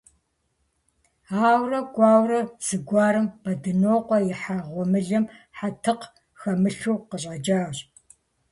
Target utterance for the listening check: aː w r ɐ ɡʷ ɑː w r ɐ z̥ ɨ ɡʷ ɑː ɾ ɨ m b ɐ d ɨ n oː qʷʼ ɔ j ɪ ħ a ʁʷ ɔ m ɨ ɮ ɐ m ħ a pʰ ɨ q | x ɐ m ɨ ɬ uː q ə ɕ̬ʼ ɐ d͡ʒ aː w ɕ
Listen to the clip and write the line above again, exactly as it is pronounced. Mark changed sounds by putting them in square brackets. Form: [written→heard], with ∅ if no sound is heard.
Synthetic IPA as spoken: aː w r ɐ ɡʷ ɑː w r ɐ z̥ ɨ ɡʷ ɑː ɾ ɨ m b ɐ d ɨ n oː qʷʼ ɔ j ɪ ħ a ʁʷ ɔ m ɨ ɮ ɐ m ħ a [pʰ→tʰ] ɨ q | x ɐ m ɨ ɬ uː q ə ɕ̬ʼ ɐ d͡ʒ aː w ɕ